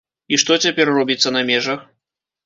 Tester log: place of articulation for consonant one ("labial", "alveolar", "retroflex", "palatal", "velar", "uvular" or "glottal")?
retroflex